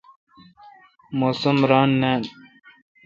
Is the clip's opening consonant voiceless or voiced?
voiced